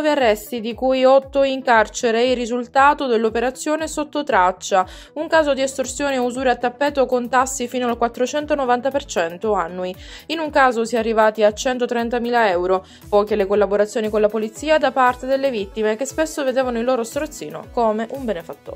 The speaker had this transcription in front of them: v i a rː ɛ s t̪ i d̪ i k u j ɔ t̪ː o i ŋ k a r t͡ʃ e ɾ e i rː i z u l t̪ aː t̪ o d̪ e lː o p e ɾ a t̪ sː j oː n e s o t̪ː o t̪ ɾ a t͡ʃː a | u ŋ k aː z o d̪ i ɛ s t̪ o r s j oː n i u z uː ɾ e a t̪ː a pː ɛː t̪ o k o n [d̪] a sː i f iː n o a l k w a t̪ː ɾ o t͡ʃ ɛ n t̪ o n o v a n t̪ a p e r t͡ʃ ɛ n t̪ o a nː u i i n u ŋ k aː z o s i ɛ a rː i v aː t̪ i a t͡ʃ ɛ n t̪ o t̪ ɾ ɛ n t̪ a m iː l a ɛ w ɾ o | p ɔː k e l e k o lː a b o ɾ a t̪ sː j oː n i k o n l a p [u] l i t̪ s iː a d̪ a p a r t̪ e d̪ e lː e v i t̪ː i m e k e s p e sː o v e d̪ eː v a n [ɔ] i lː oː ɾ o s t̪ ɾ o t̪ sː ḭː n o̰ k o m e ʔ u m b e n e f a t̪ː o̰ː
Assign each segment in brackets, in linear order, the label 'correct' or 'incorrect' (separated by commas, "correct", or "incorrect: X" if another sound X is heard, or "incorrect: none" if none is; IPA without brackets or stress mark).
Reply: incorrect: t̪, incorrect: o, incorrect: o